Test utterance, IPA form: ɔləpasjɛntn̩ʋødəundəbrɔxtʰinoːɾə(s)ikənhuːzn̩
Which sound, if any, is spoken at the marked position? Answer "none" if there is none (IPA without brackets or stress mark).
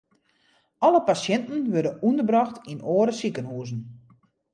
s